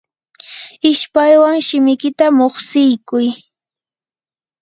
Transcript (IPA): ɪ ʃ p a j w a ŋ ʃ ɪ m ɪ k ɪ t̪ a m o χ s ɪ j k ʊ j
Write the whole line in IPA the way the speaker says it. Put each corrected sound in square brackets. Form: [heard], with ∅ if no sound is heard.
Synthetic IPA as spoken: ɪ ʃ p a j w a ŋ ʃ ɪ m ɪ k ɪ t̪ a m o χ s ɪ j k ʊ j